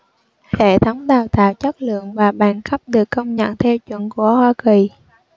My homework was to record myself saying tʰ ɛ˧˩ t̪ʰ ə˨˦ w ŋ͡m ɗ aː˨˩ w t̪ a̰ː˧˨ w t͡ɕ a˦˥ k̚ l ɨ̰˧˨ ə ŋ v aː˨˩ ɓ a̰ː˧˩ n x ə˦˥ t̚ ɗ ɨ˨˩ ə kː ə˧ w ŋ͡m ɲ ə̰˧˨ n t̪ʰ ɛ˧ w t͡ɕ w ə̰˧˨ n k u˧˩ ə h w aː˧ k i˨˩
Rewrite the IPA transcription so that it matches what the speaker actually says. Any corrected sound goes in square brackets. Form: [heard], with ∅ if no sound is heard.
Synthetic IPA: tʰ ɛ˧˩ t̪ʰ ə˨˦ w ŋ͡m ɗ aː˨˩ w t̪ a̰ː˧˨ w t͡ɕ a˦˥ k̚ l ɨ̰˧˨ ə ŋ v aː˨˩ ɓ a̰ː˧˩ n x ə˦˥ [p̚] ɗ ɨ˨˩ ə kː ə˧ w ŋ͡m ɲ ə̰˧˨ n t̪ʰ ɛ˧ w t͡ɕ w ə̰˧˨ n k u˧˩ ə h w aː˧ k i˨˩